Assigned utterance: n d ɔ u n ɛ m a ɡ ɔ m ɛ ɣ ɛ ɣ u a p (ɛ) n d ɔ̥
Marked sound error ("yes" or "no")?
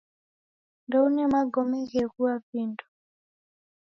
yes